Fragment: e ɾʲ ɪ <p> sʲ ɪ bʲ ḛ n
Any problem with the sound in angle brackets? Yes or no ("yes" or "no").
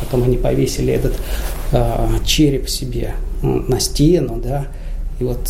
no